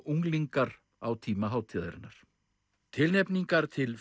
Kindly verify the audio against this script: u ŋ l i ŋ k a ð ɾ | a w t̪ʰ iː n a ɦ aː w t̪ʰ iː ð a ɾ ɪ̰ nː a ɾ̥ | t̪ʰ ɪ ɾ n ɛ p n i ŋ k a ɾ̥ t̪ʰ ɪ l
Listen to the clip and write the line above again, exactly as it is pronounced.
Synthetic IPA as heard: u ŋ l i ŋ k a ɾ | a w t̪ʰ iː m a ɦ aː w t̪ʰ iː ð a ɾ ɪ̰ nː a ɾ̥ | t̪ʰ ɪ l n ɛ p n i ŋ k a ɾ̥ t̪ʰ ɪ l